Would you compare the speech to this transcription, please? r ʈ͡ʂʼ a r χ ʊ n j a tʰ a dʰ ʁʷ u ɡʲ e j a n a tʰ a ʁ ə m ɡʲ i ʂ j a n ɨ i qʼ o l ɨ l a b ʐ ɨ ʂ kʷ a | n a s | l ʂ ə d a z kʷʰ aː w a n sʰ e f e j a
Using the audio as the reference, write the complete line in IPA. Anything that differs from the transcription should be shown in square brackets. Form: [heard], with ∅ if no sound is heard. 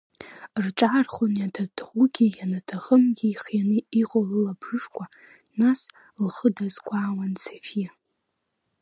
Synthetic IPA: r ʈ͡ʂʼ a r χ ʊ n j a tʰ a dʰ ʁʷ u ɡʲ [i] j a n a tʰ a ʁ ə m ɡʲ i [χ] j a n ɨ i qʼ o l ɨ l a b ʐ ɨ ʂ kʷ a | n a s | l [χ] ə d a z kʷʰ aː w a n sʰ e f [i] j a